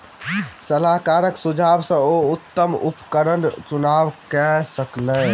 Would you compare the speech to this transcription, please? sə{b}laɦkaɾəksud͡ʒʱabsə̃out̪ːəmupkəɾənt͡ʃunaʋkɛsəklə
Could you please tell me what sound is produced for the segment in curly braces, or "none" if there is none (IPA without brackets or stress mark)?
none